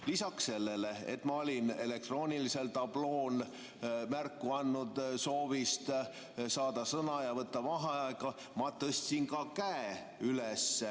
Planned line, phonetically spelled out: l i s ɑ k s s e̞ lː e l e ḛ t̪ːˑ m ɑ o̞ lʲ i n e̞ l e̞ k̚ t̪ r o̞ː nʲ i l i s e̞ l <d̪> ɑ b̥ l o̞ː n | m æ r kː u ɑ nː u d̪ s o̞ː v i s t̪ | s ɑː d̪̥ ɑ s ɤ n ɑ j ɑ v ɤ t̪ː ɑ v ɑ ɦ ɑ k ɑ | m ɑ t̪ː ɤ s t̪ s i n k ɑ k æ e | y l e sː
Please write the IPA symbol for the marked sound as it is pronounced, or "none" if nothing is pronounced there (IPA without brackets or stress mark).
t̪